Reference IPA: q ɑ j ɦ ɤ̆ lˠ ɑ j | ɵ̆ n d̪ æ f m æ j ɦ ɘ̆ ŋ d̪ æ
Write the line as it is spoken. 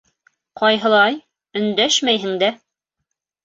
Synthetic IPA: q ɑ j ɦ ɤ̆ lˠ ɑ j | ɵ̆ n d̪ æ ʃ m æ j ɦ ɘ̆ ŋ d̪ æ